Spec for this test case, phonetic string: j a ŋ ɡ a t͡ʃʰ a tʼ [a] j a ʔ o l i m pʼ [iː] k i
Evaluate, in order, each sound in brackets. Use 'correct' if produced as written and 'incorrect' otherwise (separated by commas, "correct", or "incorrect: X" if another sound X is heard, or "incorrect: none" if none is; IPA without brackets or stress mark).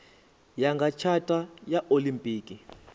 correct, correct